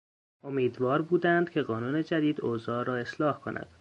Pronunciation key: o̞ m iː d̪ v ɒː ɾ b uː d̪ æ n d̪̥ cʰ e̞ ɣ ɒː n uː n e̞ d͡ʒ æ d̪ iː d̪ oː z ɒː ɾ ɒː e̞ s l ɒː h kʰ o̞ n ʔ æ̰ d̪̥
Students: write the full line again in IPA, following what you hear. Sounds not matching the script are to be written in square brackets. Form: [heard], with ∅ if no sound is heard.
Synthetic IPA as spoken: o̞ m iː d̪ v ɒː ɾ b uː d̪ æ n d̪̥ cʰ e̞ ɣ ɒː n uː n e̞ d͡ʒ æ d̪ iː d̪ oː z ɒː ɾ ɒː e̞ s l ɒː h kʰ o̞ n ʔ æ̰ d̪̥